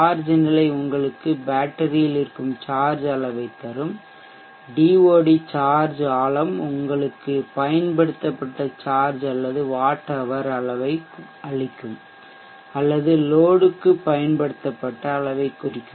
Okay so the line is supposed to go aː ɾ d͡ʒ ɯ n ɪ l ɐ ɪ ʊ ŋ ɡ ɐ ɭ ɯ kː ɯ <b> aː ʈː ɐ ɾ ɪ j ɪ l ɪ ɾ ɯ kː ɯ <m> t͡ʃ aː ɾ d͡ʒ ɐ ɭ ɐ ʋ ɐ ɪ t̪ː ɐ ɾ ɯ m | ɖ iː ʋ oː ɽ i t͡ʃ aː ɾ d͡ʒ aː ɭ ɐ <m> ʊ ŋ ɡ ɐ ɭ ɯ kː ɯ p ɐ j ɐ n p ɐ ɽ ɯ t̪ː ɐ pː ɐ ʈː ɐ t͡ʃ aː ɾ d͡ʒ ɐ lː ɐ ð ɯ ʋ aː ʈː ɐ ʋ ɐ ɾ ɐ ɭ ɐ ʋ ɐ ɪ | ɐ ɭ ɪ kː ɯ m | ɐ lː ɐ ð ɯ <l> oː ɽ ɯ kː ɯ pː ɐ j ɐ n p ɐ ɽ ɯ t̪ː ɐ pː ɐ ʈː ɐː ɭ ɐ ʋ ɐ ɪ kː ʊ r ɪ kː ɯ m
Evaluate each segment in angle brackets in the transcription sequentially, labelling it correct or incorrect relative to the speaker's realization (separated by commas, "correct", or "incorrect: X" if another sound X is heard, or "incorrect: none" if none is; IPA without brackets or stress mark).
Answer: correct, correct, correct, correct